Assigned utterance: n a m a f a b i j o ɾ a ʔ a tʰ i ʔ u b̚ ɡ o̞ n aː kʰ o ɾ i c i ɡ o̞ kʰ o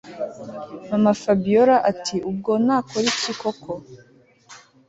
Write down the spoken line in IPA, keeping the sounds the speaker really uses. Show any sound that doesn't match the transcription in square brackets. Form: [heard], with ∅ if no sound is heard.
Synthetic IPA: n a m a f a b i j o ɾ a ʔ a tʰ i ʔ u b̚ ɡ o̞ n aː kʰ o ɾ i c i [k] o̞ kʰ o

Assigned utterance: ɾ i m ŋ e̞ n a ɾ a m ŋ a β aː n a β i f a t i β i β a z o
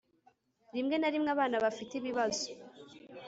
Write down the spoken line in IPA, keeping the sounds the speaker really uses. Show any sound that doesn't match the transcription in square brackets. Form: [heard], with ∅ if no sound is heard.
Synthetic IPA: ɾ i m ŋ e̞ n a ɾ [i] m ŋ a β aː n a β [a] f [i] t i β i β a z o

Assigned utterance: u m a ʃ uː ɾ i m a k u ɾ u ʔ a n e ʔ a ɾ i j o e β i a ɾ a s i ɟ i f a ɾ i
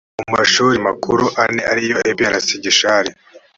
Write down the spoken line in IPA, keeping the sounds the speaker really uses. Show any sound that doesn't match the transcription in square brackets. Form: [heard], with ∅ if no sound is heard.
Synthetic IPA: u m a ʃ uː ɾ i m a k u ɾ u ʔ a n e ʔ a ɾ i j o e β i a ɾ a s i ɟ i [ʃ] a ɾ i

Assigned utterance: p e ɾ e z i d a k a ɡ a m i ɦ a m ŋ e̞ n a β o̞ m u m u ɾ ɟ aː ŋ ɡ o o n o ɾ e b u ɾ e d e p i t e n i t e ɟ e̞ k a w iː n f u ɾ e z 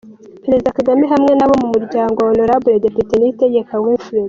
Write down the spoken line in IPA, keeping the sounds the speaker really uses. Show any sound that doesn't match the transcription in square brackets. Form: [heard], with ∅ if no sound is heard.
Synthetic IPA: p e ɾ e z i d a k a ɡ a m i ɦ a m ŋ e̞ n a β o̞ m u m u ɾ ɟ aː ŋ ɡ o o n o ɾ [a] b u ɾ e d e p i t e n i t e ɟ e̞ k a w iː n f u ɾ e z

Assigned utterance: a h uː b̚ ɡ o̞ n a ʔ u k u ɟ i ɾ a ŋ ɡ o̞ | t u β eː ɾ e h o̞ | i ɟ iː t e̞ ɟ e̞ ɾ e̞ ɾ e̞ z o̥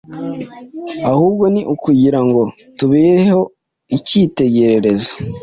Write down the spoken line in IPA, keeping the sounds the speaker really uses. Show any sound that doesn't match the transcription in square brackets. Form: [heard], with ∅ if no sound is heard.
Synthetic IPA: a h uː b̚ ɡ o̞ n [i] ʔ u k u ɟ i ɾ a ŋ ɡ o̞ | t u β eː ɾ e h o̞ | i [c] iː t e̞ ɟ e̞ ɾ e̞ ɾ e̞ z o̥

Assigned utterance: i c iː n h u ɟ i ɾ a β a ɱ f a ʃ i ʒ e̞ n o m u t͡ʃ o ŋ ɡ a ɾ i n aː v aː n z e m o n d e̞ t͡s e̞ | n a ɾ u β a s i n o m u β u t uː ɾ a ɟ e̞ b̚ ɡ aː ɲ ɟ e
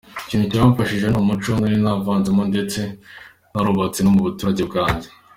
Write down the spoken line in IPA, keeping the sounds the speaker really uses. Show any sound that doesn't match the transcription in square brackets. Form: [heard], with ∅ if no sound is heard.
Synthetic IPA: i c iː n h u [c] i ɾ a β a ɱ f a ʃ i ʒ e̞ n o m u t͡ʃ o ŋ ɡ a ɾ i n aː v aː n z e m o n d e̞ t͡s e̞ | n a ɾ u β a [t͡s] i n o m u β u t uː ɾ a ɟ e̞ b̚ ɡ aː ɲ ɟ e

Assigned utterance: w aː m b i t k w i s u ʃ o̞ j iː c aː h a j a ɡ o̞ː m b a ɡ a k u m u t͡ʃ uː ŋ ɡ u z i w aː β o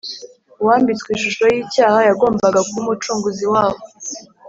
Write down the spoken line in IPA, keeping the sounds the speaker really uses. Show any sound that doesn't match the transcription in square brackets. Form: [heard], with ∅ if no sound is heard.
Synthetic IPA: w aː m b i [t͡s] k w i [ʃ] u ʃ o̞ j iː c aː h a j a ɡ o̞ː m b a ɡ a k u m u t͡ʃ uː ŋ ɡ u z i w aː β o

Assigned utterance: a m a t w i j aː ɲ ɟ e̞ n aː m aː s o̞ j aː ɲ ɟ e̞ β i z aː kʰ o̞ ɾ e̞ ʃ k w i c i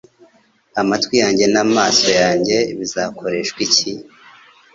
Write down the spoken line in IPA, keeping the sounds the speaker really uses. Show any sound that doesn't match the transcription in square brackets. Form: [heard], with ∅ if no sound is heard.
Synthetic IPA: a m a t w i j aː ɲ ɟ e̞ n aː m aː s o̞ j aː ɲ ɟ e̞ β i z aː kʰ o̞ ɾ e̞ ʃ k w i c i

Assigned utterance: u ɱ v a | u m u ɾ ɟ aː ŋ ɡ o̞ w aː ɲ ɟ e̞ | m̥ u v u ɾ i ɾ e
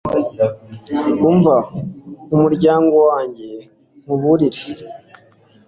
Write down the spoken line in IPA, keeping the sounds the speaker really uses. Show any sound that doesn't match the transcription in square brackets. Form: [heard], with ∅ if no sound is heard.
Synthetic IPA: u ɱ v a | u m u ɾ ɟ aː ŋ ɡ o̞ w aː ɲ ɟ e̞ | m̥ u [β] u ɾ i ɾ e

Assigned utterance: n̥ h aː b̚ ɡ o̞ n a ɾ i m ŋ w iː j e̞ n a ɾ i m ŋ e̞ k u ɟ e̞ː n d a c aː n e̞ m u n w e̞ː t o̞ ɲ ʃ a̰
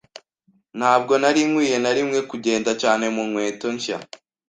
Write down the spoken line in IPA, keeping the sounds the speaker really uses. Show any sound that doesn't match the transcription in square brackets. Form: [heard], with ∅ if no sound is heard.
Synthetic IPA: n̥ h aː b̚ ɡ o̞ n a ɾ i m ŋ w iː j e̞ n a ɾ i m ŋ e̞ k u ɟ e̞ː n d a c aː n e̞ m u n w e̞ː t o̞ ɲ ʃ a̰

